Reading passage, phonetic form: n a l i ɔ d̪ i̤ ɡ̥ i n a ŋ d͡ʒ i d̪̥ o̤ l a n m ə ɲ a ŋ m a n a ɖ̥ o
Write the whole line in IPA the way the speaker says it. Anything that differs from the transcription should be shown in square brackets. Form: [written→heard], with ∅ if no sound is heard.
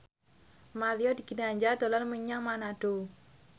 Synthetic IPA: [n→m] a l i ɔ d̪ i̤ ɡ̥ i n a [ŋ→ɲ] d͡ʒ [i→a] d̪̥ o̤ l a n m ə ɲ a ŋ m a n a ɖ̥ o